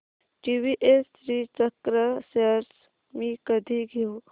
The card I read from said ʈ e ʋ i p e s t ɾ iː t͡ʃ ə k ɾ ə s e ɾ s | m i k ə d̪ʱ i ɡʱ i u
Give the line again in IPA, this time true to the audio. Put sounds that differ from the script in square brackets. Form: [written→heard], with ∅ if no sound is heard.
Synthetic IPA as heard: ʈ [e→i] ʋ i [p→ʔ] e s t ɾ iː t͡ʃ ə k ɾ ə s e ɾ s | m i k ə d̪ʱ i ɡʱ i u